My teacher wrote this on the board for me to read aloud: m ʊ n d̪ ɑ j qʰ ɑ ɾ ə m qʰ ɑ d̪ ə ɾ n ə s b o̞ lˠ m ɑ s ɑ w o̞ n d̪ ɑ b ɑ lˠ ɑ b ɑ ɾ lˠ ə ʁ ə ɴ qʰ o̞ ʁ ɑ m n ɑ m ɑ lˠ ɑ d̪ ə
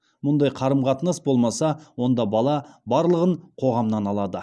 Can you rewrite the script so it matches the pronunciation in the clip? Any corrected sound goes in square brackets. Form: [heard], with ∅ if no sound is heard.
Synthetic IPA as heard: m ʊ n d̪ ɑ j qʰ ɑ ɾ ə m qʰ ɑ [t̪] ə [∅] n ə s b o̞ lˠ m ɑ s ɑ w o̞ n d̪ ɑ b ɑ lˠ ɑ b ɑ ɾ lˠ ə ʁ ə ɴ qʰ o̞ ʁ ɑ m n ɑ [n] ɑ lˠ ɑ d̪ ə